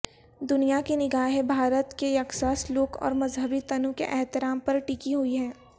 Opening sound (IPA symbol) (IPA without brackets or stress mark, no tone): d̪